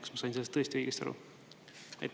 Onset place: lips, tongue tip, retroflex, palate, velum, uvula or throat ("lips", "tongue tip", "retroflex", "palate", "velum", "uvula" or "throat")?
velum